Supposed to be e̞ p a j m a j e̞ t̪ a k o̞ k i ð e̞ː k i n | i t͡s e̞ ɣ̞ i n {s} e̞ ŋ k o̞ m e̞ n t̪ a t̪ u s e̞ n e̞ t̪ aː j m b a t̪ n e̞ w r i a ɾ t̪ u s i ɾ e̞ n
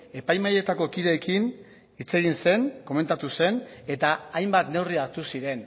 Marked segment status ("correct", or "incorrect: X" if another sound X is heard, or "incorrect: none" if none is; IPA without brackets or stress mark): correct